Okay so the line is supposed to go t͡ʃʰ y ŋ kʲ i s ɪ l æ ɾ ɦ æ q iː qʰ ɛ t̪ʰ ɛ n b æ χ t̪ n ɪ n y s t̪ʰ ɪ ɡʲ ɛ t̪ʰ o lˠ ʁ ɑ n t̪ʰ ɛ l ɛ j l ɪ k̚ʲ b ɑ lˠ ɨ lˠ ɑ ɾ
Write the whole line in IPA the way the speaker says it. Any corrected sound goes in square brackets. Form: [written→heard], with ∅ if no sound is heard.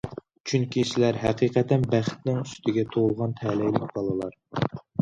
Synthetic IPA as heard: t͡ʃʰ y ŋ kʲ i s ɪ l æ ɾ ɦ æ q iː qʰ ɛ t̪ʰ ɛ n b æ χ t̪ n ɪ [n→ŋ] y s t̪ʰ ɪ ɡʲ ɛ t̪ʰ o lˠ ʁ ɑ n t̪ʰ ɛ l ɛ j l ɪ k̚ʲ b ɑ lˠ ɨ lˠ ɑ ɾ